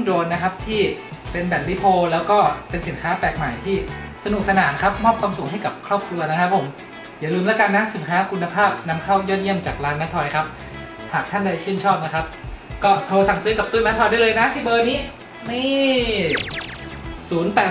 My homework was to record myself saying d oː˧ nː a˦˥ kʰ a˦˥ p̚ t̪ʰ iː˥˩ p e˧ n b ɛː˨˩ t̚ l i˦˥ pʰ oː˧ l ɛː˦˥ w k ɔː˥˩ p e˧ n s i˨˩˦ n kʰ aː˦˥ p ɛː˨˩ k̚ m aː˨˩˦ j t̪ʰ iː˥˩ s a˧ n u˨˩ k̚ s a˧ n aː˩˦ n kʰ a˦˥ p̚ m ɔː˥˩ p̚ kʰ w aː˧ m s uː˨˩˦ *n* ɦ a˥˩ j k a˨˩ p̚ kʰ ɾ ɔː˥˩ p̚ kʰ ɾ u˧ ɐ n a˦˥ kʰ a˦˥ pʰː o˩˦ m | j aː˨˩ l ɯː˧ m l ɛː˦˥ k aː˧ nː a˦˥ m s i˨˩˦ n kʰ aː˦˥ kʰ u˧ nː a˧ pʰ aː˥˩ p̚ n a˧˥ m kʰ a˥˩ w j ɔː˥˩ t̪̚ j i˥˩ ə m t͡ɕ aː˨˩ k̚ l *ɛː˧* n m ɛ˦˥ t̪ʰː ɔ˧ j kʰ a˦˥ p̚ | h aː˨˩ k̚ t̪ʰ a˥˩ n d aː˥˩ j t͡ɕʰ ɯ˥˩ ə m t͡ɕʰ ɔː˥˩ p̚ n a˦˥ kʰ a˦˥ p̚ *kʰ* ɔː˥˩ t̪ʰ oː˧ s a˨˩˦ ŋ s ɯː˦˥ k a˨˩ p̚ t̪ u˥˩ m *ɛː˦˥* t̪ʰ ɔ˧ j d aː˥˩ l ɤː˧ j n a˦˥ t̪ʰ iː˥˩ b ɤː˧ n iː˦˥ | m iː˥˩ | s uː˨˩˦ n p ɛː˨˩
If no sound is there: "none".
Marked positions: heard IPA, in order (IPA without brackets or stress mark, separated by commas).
ŋ, aː˧, k, ɛ˦˥